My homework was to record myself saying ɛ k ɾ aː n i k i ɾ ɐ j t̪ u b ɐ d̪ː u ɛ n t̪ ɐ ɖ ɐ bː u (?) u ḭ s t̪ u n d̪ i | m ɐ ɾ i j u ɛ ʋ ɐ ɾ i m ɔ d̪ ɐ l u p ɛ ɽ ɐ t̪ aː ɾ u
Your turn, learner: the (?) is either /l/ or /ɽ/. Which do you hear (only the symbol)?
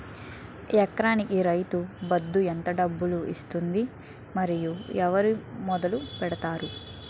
l